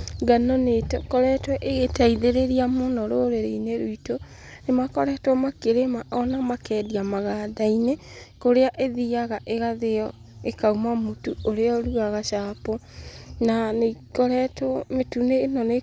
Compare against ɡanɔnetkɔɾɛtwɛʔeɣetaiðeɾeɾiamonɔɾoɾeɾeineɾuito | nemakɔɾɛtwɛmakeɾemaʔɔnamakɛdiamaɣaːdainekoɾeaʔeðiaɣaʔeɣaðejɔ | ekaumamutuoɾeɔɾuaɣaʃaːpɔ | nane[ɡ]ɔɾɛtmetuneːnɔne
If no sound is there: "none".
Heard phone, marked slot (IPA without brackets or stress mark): k